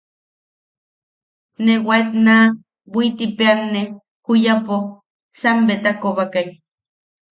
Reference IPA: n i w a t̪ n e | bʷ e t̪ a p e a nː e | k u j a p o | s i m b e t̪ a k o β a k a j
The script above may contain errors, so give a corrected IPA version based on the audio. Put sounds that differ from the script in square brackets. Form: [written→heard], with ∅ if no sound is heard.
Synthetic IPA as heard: n [i→e] w a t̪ n [e→a] | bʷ [e→i] t̪ [a→i] p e a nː e | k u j a p o | s [i→a] m b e t̪ a k o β a k a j

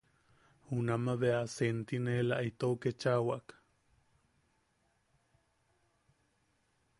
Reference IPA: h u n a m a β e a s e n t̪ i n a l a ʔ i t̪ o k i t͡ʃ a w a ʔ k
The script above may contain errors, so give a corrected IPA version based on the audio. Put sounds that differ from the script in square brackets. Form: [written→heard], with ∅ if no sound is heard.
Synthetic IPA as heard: h u n a m a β e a s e n t̪ i n [a→e] l a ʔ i t̪ o k [i→e] t͡ʃ a w a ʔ k

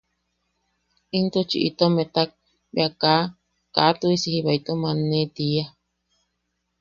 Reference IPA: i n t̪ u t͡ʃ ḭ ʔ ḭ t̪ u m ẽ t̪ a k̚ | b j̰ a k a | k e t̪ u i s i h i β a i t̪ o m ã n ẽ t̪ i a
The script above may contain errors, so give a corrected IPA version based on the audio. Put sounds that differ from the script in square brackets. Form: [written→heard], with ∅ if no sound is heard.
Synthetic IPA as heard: i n t̪ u t͡ʃ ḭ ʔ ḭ t̪ [u→o] m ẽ t̪ a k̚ | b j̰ a k a | k [e→a] t̪ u i s i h i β a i t̪ o m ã n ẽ t̪ i a

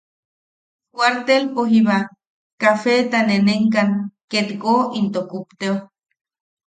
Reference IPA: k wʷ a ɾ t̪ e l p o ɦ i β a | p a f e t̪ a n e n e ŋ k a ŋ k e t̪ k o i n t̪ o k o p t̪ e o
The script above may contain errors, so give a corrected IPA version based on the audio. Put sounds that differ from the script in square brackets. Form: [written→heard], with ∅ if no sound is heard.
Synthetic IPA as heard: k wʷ a ɾ t̪ e l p o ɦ i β a | [p→k] a f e t̪ a n e n e ŋ k a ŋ k e t̪ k o i n t̪ o k [o→u] p t̪ e o

